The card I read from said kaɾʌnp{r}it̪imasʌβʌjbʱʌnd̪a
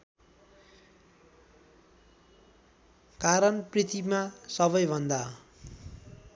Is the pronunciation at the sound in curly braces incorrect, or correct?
correct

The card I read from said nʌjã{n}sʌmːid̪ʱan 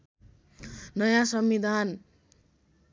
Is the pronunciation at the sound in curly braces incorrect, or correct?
incorrect: none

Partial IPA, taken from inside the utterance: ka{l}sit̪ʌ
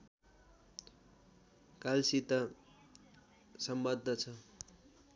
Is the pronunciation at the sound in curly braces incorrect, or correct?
correct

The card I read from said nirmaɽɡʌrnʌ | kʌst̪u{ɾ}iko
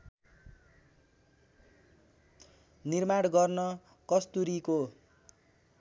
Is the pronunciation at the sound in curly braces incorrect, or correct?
correct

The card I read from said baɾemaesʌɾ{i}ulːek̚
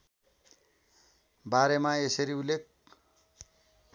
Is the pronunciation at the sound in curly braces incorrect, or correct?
correct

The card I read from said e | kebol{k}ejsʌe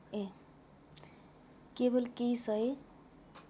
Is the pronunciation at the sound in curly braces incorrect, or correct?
correct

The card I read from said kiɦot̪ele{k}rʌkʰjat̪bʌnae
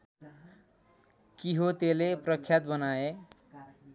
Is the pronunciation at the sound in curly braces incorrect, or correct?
incorrect: p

